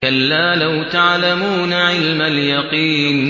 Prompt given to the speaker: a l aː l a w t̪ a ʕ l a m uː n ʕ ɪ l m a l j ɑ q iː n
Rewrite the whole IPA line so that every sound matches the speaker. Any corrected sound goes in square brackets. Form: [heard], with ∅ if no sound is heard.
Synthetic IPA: a [lː] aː l a w t̪ a ʕ l a m uː n ʕ ɪ l m a l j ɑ q iː n